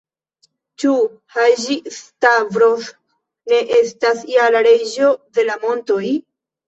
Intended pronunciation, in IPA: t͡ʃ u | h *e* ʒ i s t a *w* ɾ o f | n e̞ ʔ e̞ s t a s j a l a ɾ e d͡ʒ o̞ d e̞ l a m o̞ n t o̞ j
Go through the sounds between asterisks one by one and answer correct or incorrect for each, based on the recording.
incorrect, incorrect

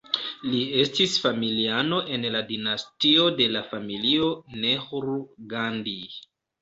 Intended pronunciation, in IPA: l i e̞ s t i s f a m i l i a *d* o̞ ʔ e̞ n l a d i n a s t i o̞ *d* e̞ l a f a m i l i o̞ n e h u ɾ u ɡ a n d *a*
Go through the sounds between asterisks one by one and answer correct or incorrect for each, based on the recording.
incorrect, correct, incorrect

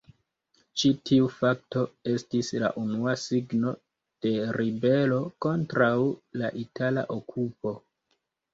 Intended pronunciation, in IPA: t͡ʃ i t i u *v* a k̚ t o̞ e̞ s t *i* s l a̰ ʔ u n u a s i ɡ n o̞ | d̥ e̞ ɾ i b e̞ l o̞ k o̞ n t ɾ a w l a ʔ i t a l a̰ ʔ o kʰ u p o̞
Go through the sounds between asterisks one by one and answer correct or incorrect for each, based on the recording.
incorrect, correct

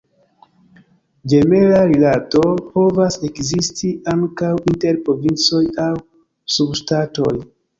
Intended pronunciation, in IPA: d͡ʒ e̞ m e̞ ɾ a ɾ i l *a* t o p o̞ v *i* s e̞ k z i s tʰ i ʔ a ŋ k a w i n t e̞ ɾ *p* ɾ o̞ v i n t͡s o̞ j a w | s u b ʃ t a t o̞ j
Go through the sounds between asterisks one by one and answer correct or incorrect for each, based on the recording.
correct, incorrect, correct

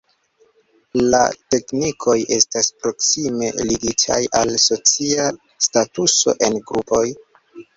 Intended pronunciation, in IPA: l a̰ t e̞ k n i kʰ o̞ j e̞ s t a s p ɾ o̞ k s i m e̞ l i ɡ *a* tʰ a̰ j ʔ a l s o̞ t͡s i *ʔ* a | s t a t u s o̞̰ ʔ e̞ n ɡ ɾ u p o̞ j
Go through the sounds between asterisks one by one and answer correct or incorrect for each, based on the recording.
incorrect, incorrect

